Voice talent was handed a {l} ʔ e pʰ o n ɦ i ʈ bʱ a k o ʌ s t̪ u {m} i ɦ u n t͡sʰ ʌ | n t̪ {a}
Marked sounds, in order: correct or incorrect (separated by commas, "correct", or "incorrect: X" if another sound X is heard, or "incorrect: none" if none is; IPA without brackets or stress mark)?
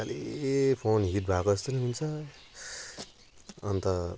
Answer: correct, incorrect: n, incorrect: ʌ